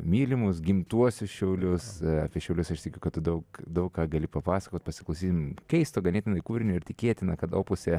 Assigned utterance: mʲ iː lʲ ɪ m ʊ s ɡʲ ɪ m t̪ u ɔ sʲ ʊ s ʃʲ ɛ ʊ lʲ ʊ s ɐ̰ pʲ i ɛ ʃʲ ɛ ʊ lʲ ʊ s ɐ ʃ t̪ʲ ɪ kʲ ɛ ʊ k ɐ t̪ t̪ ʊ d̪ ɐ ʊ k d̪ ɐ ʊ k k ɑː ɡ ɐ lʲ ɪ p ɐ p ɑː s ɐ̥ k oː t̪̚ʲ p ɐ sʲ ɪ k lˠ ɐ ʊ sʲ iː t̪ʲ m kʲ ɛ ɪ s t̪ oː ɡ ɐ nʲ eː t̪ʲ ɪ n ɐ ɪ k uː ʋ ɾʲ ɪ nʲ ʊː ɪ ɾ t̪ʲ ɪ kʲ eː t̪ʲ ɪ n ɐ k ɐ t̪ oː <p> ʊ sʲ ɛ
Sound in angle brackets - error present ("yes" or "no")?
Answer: no